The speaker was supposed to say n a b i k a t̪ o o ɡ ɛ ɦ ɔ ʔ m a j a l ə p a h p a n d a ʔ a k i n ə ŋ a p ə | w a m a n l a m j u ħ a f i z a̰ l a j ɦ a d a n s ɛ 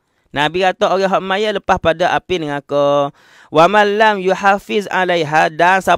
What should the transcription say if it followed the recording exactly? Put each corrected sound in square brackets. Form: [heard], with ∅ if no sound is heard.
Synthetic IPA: n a b i k a t̪ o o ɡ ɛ ɦ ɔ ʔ m a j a l ə p a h p a [∅] d a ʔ a [p] i n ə ŋ a [k] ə | w a m a n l a m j u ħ a f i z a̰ l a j ɦ a d a n s [a]